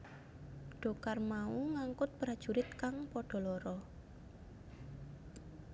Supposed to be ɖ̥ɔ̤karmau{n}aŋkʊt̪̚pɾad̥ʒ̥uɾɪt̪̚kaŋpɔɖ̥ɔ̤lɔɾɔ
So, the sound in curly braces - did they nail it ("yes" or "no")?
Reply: no